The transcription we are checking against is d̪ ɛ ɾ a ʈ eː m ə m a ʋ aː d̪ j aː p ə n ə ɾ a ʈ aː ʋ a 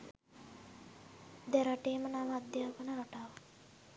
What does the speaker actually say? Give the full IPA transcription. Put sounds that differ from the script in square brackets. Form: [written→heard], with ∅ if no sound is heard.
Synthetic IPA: d̪ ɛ ɾ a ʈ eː m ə [m→n] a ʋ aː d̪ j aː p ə n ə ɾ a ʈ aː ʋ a